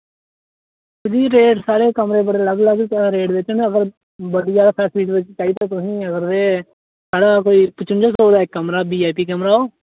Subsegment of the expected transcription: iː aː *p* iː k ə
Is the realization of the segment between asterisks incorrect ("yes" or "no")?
no